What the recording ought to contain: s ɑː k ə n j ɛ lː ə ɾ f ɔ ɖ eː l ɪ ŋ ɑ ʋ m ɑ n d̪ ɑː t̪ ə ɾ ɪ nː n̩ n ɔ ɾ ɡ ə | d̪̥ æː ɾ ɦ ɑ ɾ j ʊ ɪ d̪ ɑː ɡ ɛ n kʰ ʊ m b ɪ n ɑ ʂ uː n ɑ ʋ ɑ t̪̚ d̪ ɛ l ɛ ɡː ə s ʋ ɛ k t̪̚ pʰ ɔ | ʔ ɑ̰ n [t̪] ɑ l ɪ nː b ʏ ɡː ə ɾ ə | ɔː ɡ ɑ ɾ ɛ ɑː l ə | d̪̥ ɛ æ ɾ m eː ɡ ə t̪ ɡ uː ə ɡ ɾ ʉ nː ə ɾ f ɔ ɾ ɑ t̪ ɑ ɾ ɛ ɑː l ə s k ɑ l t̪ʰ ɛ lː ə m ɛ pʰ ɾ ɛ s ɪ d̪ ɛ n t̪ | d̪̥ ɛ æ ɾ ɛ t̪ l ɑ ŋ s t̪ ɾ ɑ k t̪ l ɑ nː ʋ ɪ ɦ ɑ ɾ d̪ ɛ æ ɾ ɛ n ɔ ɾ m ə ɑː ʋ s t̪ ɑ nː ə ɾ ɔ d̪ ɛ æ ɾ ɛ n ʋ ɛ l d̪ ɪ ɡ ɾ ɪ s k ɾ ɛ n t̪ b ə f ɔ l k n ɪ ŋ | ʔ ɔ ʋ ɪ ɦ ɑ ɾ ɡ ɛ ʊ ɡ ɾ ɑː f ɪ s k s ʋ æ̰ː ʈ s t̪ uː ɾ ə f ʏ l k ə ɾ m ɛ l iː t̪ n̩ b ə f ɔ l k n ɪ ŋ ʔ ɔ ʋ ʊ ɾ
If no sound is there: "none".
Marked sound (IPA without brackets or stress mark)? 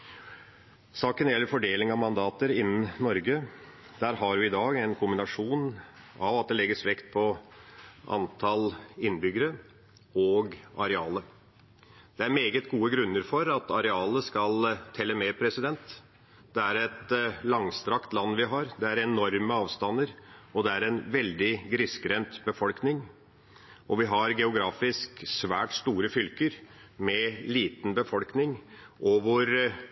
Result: t̪ʰ